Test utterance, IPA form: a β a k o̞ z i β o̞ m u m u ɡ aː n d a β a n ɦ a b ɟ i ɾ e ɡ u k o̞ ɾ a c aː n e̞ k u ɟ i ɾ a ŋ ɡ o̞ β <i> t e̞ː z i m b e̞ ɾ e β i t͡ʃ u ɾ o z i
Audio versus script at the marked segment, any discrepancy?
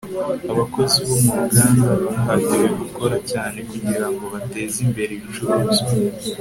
yes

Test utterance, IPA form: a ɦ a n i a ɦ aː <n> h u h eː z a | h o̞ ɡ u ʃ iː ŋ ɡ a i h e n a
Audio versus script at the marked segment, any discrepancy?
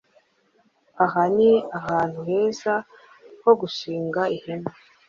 no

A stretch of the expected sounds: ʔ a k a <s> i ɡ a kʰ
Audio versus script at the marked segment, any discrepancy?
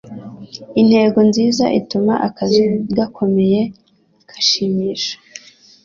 yes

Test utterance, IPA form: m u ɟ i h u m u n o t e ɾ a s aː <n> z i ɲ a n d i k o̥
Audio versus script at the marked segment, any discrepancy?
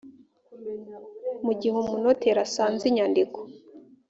no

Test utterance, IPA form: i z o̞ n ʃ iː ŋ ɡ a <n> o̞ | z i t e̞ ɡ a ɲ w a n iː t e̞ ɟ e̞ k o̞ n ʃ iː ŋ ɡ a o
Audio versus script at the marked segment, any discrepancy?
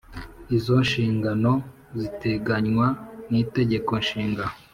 no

